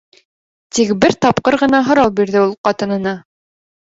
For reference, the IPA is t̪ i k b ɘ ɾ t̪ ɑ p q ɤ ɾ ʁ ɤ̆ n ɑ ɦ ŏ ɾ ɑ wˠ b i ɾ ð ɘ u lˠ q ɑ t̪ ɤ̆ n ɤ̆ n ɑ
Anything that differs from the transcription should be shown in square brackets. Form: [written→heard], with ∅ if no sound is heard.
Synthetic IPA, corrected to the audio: t̪ i k b ɘ ɾ t̪ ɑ p q ɤ ɾ ʁ ɤ̆ n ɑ ɦ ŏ ɾ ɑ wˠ b i ɾ ð ɘ u lˠ q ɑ t̪ ɤ̆ n ɤ̆ n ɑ